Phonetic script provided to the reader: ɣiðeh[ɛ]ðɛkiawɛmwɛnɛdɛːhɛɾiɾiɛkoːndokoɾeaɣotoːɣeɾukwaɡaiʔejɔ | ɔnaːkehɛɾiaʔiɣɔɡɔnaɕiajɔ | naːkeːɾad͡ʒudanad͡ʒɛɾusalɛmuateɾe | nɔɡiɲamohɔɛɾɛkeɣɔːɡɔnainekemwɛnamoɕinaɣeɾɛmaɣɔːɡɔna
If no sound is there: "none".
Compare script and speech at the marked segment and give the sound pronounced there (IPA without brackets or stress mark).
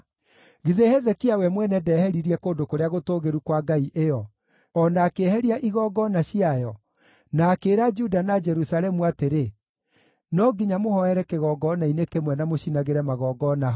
ɛ